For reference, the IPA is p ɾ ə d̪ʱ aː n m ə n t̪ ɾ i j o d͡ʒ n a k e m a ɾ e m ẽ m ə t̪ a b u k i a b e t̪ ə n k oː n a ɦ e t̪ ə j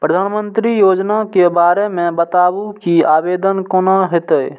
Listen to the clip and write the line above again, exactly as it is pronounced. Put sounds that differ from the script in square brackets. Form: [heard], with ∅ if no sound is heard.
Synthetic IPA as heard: p ɾ ə d̪ʱ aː n m ə n t̪ ɾ i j o d͡ʒ n a k e [b] a ɾ e m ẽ [b] ə t̪ a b u k i a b e [d̪] ə n k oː n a ɦ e t̪ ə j